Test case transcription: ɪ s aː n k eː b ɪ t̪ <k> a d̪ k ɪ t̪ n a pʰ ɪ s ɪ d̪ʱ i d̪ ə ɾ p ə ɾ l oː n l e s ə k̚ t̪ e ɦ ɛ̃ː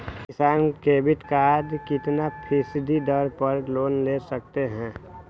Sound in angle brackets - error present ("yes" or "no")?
no